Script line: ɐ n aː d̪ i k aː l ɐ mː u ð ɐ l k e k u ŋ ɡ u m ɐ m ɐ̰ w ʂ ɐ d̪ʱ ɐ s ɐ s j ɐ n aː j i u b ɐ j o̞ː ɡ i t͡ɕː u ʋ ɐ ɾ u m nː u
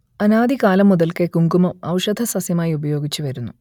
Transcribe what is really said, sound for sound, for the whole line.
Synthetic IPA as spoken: ɐ n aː d̪ i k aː l ɐ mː u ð ɐ l k e k u ŋ ɡ u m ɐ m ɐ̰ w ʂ ɐ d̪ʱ ɐ s ɐ s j ɐ m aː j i u b ɐ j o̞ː ɡ i t͡ɕː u ʋ ɐ ɾ u nː u